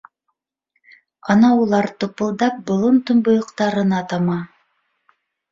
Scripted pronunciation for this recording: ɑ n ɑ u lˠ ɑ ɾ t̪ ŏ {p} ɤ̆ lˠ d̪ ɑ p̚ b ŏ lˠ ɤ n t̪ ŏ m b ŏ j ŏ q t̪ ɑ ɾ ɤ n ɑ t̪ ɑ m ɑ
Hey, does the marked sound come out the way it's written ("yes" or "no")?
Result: yes